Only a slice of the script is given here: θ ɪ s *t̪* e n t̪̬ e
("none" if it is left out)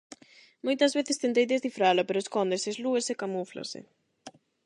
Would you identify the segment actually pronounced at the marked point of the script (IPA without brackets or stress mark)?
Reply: t̪